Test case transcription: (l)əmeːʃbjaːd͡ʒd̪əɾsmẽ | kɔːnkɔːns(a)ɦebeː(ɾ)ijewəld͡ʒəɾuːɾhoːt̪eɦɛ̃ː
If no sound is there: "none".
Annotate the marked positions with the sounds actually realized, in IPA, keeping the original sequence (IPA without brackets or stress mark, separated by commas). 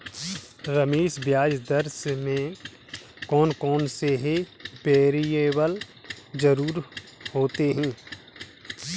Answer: ɾ, e, ɾ